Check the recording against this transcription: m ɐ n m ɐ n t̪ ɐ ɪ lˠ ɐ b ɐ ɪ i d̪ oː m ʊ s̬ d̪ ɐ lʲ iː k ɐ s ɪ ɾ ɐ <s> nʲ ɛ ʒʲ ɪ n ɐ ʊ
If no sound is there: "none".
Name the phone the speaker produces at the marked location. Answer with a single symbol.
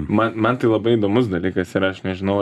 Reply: ʃ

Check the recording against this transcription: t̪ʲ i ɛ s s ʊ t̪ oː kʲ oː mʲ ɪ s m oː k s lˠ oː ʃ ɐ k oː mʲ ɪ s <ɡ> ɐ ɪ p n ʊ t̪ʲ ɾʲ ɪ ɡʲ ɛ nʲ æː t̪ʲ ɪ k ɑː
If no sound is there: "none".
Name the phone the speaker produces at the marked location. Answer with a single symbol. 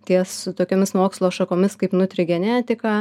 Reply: k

